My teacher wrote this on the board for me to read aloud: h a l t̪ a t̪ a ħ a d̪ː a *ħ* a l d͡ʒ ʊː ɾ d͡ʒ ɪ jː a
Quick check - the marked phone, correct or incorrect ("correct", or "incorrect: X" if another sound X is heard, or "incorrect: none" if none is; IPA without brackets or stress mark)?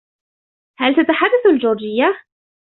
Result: incorrect: θ